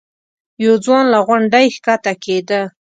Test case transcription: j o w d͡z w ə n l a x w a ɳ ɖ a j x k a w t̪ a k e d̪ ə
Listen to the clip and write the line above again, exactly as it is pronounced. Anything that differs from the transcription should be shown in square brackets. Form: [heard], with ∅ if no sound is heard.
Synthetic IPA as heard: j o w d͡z w [ɑ] n l a [ɣ] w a ɳ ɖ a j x k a [∅] t̪ a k e d̪ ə